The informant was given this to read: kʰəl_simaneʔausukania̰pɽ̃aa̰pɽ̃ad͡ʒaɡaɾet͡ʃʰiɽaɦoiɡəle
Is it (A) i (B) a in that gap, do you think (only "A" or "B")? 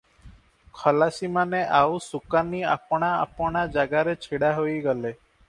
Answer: B